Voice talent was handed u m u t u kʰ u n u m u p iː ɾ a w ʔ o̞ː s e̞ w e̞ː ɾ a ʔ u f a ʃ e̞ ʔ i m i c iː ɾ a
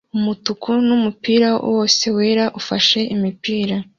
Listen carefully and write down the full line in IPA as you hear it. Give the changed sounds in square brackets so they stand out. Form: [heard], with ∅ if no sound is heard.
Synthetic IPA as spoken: u m u t u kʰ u n u m u p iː ɾ a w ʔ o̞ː s e̞ w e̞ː ɾ a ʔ u f a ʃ e̞ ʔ i m i [p] iː ɾ a